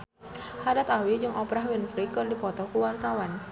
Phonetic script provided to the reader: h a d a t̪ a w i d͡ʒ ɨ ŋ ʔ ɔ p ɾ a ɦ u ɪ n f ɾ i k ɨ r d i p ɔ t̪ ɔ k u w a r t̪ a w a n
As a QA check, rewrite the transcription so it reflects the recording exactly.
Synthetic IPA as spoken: h a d a t̪ a w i d͡ʒ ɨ ŋ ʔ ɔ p ɾ a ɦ w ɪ n f ɾ i k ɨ r d i p ɔ t̪ ɔ k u w a r t̪ a w a n